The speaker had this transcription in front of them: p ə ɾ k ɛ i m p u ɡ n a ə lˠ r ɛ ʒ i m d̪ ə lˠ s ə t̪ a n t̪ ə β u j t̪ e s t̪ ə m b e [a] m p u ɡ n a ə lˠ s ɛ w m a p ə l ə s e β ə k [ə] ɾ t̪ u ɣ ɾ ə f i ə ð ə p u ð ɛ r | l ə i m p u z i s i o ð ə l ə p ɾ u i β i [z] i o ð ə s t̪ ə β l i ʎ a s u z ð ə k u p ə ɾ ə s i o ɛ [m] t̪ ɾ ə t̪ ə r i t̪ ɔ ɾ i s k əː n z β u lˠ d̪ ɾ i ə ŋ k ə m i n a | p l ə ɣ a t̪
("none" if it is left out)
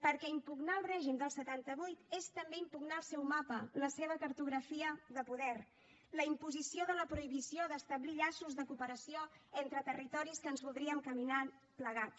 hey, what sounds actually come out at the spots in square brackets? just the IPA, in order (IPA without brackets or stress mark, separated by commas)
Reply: i, ə, s, n